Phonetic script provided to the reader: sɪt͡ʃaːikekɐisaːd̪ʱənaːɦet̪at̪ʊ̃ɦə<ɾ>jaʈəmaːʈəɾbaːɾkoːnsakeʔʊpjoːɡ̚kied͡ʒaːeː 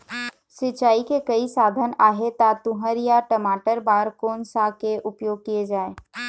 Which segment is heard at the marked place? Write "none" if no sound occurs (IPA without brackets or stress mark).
ɾ